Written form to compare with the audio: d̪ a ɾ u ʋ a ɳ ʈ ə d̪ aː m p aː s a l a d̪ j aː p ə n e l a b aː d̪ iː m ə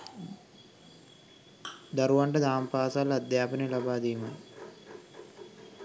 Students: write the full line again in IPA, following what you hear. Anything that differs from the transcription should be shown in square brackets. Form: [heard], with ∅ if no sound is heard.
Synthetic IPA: d̪ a ɾ u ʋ a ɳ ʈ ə d̪ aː m p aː s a l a d̪ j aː p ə n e l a b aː d̪ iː m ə